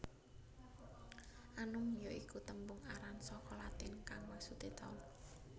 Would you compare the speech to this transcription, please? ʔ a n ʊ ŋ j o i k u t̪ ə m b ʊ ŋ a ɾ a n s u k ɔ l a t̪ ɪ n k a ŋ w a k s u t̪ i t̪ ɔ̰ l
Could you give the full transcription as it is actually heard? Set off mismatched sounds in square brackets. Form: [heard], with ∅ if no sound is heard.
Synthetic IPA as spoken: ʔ a n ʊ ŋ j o i k u t̪ ə m b ʊ ŋ a ɾ a n s [ɔ] k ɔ l a t̪ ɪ n k a ŋ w a k s u t̪ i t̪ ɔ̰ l